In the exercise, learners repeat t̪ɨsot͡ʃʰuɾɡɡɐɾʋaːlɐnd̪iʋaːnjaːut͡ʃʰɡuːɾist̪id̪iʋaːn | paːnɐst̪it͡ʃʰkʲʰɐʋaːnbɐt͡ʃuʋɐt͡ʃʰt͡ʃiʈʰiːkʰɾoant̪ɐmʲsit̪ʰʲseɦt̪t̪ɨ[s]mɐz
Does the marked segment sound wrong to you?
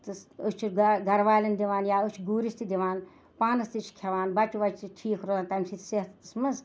no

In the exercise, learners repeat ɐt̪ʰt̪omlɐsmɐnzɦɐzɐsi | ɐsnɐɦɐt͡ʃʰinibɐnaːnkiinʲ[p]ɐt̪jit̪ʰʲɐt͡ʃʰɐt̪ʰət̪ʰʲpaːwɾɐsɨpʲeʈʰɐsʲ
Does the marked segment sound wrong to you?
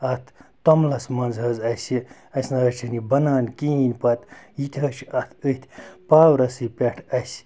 no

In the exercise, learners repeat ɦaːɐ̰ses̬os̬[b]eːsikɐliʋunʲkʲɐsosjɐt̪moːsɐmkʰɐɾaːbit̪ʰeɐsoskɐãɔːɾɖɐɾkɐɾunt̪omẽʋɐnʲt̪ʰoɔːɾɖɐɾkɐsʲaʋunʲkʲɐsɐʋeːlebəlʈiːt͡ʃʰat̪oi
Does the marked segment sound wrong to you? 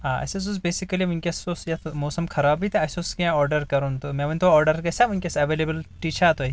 no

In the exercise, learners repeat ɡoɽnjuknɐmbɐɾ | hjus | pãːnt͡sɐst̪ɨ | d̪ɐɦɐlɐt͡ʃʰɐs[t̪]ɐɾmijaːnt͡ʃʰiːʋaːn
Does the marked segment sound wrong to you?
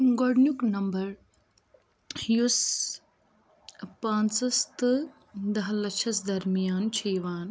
yes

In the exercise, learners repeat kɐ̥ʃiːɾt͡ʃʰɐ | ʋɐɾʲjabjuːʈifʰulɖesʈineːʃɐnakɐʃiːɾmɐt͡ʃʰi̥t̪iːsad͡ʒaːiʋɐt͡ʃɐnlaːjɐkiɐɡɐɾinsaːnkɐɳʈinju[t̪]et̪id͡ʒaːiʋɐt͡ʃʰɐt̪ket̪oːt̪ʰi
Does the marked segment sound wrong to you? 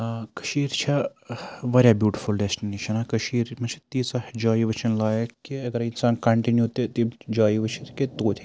no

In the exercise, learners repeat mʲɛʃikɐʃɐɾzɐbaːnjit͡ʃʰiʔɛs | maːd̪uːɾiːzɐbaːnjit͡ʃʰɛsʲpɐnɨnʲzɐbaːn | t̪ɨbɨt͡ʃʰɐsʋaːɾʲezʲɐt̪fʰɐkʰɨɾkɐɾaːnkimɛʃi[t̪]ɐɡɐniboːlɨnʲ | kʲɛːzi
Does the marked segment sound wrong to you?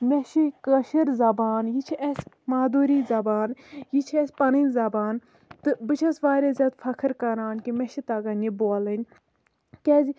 no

